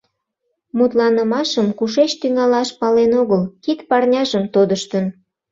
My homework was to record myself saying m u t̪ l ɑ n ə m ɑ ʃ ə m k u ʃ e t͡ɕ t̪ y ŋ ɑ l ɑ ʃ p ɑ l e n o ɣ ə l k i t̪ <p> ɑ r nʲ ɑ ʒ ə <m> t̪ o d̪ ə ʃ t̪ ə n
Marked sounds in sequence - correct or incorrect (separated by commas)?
correct, correct